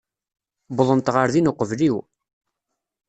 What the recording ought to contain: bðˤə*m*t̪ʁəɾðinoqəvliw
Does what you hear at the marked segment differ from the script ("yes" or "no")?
yes